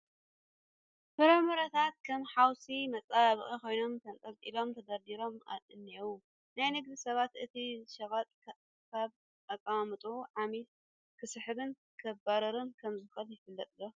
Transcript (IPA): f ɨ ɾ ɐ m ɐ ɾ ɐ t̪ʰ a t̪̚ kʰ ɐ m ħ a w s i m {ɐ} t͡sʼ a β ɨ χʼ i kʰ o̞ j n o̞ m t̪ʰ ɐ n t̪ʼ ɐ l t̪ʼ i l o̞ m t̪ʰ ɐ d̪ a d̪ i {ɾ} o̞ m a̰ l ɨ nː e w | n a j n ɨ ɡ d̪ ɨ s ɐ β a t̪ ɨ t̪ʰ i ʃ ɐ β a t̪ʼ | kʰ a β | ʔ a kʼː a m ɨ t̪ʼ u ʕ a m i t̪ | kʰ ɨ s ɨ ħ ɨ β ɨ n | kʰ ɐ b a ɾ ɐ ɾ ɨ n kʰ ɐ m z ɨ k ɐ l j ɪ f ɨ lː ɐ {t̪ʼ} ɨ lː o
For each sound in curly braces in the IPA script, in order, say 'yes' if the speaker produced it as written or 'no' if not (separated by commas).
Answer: yes, yes, yes